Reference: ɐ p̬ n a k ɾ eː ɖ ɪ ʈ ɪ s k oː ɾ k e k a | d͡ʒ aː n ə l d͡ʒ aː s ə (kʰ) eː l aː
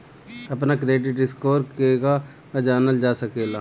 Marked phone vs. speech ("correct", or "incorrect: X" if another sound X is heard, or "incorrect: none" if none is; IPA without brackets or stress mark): incorrect: k